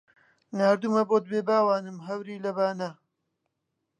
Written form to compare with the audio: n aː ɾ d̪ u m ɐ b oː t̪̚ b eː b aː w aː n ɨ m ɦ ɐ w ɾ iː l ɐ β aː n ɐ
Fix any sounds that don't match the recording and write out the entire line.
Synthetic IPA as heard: n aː ɾ d̪ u m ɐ b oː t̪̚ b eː b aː w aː n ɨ m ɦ ɐ w ɾ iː l ɐ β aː n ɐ